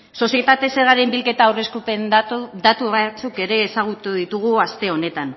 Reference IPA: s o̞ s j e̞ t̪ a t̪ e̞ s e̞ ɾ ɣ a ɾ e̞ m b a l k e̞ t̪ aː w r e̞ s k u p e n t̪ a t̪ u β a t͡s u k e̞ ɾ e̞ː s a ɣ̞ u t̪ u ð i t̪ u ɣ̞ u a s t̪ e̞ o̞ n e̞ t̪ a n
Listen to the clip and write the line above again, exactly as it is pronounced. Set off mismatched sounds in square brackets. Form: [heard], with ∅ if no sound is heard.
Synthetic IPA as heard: s o̞ s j e̞ t̪ a t̪ e̞ s e̞ ɾ ɣ a ɾ e̞ m b [i] l k e̞ t̪ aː w r e̞ s k u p e n [d̪] a t̪ u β a t͡s u k e̞ ɾ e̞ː s a ɣ̞ u t̪ u ð i t̪ u ɣ̞ u a s t̪ e̞ o̞ n e̞ t̪ a n